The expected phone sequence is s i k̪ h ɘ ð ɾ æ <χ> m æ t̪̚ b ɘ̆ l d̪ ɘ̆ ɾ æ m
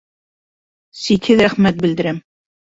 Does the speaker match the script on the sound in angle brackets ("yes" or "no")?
yes